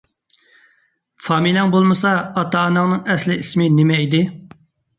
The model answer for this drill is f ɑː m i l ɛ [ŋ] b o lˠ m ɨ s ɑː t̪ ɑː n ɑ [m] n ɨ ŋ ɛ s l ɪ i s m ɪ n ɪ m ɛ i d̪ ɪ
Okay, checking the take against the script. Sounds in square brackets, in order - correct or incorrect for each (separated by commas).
correct, incorrect